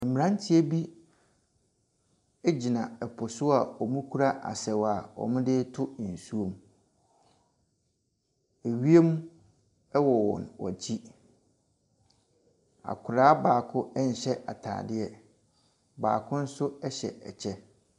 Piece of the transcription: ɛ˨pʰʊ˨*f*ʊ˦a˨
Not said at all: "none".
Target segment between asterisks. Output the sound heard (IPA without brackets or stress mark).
s